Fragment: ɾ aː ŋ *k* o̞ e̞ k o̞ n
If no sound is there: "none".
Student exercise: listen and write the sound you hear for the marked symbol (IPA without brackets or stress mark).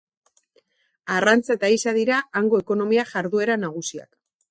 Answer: ɡ